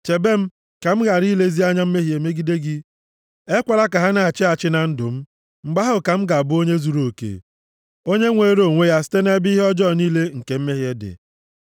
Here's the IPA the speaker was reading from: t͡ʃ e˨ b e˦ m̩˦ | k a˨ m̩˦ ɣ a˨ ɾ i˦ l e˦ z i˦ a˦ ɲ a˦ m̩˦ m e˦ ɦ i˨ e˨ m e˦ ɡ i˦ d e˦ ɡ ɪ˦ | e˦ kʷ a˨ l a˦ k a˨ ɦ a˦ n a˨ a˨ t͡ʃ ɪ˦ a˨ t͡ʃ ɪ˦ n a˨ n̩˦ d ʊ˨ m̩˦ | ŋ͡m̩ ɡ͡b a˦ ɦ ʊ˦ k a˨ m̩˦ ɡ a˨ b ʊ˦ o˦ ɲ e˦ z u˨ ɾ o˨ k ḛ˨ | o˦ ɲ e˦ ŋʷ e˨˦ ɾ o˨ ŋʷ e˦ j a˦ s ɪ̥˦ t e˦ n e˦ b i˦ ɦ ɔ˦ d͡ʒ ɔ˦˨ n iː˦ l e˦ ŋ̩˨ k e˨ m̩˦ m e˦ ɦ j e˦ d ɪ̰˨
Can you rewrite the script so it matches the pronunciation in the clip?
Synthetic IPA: t͡ʃ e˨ b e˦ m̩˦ | k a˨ m̩˦ ɣ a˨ ɾ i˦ l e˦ z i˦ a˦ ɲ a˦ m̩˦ m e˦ ɦ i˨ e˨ m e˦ ɡ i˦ d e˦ ɡ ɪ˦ | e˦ kʷ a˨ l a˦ k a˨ ɦ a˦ n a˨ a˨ t͡ʃ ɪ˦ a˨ t͡ʃ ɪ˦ n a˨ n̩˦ d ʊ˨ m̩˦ | ŋ͡m̩ ɡ͡b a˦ ɦ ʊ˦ k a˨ m̩˦ ɡ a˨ b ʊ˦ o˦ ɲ e˦ z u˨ ɾ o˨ k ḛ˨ | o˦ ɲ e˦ ŋʷ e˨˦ ɾ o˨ ŋʷ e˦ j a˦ s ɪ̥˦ t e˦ n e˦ b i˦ ɦ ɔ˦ d͡ʒ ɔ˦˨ n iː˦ l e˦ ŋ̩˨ k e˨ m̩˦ m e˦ ɦ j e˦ d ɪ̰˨